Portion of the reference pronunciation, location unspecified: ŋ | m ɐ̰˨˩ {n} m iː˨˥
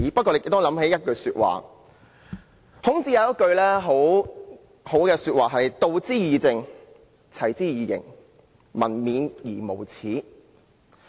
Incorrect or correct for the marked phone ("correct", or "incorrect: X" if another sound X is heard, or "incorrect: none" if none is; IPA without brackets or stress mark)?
correct